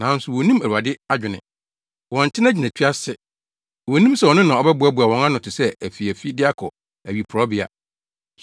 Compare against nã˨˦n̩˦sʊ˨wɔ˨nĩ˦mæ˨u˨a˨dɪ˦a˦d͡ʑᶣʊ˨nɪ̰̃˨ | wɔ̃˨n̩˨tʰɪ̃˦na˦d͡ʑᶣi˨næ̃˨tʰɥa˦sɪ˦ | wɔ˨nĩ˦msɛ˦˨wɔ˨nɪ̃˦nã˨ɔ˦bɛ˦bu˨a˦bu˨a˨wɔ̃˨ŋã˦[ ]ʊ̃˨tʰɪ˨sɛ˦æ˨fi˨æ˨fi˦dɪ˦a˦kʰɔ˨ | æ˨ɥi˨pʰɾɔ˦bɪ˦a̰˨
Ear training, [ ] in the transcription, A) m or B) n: B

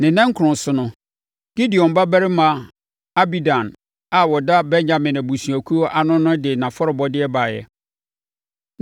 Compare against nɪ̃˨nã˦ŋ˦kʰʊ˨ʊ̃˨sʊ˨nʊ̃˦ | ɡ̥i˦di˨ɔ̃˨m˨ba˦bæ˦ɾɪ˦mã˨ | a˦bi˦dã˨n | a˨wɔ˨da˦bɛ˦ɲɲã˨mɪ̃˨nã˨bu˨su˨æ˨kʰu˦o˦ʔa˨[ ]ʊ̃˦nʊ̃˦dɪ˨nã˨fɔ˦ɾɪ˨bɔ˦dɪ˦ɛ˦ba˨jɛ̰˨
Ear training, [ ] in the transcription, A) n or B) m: A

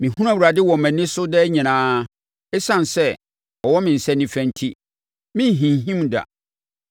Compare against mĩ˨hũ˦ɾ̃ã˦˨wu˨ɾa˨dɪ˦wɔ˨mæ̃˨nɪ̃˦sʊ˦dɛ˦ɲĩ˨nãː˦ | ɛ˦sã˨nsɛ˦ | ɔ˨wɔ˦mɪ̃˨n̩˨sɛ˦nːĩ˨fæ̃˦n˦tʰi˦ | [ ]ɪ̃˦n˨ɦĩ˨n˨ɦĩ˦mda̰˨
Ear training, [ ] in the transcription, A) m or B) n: A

